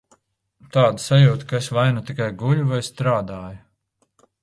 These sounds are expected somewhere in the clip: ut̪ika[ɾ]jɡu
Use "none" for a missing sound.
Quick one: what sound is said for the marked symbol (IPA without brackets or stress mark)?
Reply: none